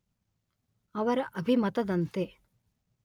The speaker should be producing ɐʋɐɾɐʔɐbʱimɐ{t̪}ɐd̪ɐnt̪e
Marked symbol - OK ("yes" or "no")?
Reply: yes